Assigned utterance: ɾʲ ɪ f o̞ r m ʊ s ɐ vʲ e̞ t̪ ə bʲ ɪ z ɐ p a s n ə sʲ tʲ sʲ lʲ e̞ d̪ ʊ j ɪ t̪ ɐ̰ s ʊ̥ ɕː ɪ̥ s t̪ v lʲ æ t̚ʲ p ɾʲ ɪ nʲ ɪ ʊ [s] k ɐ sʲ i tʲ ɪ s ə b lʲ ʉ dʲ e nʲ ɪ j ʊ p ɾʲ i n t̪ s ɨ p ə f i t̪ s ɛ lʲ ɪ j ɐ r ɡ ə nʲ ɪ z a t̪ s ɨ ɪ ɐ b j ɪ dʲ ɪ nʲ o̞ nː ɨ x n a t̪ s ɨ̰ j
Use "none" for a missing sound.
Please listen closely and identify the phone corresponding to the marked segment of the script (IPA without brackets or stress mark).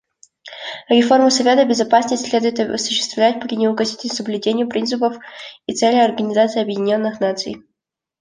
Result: none